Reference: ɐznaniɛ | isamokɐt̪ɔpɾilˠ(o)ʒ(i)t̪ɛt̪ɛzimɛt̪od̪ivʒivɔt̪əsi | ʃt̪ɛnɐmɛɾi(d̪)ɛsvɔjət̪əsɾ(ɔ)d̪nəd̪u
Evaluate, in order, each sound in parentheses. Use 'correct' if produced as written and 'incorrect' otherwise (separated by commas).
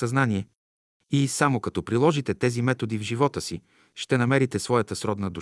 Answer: incorrect, correct, incorrect, correct